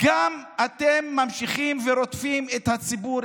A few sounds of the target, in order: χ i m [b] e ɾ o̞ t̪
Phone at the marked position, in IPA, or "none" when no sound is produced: v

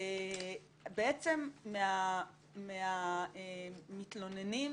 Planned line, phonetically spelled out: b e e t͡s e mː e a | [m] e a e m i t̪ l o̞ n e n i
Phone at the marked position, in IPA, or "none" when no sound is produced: m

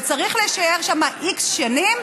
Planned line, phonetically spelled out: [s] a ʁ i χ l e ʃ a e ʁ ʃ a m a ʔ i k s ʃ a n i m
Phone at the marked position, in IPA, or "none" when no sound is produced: t͡s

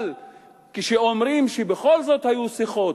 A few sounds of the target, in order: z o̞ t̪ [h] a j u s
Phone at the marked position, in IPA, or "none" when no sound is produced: h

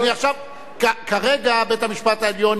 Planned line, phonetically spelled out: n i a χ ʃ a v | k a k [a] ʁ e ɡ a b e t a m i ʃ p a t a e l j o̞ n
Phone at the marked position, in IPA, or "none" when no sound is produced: a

